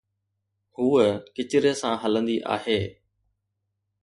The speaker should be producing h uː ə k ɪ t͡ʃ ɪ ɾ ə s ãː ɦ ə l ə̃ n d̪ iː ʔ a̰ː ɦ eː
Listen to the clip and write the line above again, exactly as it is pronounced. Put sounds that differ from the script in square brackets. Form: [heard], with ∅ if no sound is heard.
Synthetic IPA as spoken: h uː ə k ɪ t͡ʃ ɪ ɾ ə s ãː ɦ ə l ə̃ n d̪ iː ʔ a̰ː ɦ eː